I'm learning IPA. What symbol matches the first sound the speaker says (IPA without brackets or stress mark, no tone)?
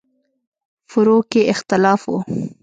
f